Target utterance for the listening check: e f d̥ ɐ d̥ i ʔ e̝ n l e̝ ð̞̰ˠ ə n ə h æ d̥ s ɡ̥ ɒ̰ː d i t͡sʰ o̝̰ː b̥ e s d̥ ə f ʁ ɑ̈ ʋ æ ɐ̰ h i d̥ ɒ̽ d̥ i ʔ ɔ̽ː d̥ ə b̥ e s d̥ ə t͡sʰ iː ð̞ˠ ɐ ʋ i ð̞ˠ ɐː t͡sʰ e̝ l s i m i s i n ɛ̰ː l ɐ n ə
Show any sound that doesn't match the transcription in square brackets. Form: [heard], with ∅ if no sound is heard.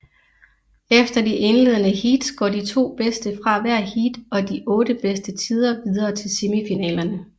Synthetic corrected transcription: e f d̥ ɐ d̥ i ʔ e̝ n l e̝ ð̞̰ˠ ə n ə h [i] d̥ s ɡ̥ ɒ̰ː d i t͡sʰ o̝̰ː b̥ e s d̥ ə f ʁ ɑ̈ ʋ æ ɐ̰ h i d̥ ɒ̽ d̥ i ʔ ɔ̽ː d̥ ə b̥ e s d̥ ə t͡sʰ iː ð̞ˠ ɐ ʋ i ð̞ˠ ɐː t͡sʰ e̝ l s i m i [f] i n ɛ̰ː l ɐ n ə